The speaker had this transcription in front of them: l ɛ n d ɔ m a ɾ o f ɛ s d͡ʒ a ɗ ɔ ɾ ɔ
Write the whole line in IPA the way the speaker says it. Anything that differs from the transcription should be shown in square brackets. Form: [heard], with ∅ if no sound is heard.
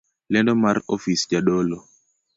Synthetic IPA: l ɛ n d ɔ m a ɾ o f [i] s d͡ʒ a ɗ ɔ [l] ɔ